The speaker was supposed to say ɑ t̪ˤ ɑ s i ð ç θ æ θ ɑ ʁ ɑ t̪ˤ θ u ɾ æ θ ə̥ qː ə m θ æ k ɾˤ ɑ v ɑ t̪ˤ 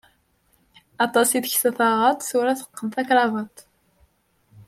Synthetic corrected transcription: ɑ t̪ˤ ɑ s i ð ç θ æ θ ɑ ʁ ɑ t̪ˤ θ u ɾ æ θ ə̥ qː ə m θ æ k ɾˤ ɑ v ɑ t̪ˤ